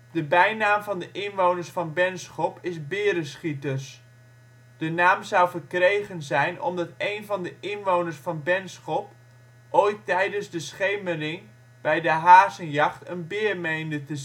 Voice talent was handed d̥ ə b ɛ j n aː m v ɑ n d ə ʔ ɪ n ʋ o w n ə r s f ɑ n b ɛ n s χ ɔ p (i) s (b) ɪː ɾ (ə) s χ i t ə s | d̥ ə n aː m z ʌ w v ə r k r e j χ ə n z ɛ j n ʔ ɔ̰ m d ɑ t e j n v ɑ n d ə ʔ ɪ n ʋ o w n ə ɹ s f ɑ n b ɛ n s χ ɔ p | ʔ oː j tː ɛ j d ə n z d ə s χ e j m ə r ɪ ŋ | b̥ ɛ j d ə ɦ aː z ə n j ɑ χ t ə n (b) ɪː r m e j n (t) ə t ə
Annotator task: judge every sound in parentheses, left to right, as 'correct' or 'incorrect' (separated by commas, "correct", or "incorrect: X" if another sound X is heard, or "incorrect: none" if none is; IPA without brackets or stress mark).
incorrect: ɪ, correct, correct, correct, incorrect: d